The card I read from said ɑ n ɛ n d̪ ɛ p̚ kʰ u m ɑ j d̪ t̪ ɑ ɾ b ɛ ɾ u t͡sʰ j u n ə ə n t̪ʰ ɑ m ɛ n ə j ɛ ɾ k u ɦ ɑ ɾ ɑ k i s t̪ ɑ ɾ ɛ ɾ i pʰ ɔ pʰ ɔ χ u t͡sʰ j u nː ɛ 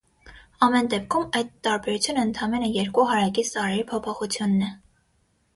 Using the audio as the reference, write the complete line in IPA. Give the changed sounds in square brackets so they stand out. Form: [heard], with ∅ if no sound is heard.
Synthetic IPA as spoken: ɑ [m] ɛ n d̪ ɛ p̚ kʰ u m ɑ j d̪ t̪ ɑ ɾ b ɛ ɾ u t͡sʰ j u n ə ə n t̪ʰ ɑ m ɛ n ə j ɛ ɾ k u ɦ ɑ ɾ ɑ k i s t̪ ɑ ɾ ɛ ɾ i pʰ ɔ pʰ ɔ χ u t͡sʰ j u nː ɛ